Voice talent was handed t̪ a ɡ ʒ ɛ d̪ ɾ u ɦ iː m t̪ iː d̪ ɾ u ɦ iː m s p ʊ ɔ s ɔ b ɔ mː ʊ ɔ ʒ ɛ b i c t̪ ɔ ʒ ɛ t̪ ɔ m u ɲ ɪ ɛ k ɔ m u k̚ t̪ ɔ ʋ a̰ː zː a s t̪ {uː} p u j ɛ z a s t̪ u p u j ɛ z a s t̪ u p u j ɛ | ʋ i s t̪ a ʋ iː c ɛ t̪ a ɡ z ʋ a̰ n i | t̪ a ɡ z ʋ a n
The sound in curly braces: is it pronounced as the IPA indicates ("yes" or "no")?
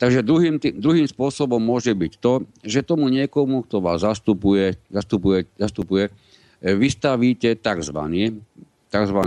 no